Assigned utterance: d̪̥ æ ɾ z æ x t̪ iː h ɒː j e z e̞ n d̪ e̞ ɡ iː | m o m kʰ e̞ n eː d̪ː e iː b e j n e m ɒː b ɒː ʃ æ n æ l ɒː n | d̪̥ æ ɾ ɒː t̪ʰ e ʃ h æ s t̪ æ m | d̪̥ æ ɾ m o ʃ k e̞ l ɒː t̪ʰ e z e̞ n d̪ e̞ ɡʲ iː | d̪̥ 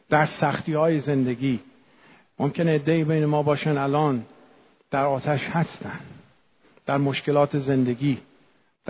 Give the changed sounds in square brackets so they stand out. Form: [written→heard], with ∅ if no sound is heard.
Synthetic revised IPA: d̪̥ æ ɾ [z→s] æ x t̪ iː h ɒː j e z e̞ n d̪ e̞ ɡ iː | m o m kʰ e̞ n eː d̪ː e iː b e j n e m ɒː b ɒː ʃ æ n æ l ɒː n | d̪̥ æ ɾ ɒː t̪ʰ [e→æ] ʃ h æ s t̪ æ [m→n] | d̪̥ æ ɾ m o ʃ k e̞ l ɒː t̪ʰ e z e̞ n d̪ e̞ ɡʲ iː | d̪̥